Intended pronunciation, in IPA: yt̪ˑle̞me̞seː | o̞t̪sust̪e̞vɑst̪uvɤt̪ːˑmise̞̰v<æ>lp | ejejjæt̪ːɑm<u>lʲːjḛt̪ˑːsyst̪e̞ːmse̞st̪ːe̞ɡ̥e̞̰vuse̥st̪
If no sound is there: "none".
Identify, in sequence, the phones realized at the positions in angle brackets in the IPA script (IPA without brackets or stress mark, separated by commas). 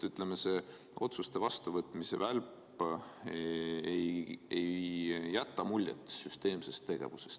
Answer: æ, u